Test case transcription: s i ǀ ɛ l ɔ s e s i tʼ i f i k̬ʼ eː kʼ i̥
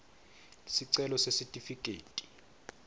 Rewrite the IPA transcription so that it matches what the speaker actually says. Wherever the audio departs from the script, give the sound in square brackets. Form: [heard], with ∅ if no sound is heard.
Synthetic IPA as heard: s i ǀ ɛ l ɔ s e s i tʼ i f i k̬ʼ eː [tʼ] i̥